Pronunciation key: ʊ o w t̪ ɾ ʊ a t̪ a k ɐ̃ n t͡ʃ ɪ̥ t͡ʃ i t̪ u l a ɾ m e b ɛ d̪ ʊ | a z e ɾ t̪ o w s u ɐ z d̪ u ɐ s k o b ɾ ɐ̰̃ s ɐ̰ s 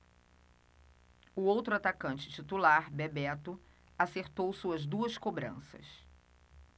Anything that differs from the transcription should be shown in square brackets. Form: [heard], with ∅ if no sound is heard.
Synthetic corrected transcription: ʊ o w t̪ ɾ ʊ a t̪ a k ɐ̃ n t͡ʃ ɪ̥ t͡ʃ i t̪ u l a ɾ [b] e b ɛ [t̪] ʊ | a [s] e ɾ t̪ o w s u ɐ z d̪ u ɐ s k o b ɾ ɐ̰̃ s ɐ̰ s